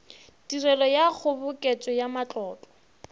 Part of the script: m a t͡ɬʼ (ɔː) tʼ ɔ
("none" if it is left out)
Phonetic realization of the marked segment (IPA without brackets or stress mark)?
ɔː